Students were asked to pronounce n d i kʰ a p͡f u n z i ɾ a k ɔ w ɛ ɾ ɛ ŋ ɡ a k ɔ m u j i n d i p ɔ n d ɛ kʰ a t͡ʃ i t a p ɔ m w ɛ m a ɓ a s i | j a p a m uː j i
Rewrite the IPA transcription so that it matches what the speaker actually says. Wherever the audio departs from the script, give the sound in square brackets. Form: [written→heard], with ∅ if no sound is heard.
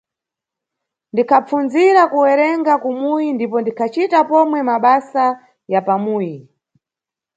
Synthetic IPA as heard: n d i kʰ a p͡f u n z i ɾ a k [ɔ→u] w ɛ ɾ ɛ ŋ ɡ a k [ɔ→u] m u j i n d i p ɔ n d [ɛ→i] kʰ a t͡ʃ i t a p ɔ m w ɛ m a ɓ a s [i→a] | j a p a m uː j i